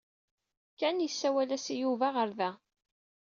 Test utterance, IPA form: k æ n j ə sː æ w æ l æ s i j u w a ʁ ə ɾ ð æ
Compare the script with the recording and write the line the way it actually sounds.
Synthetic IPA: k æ n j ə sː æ w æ l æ s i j u v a ʁ ə ɾ ð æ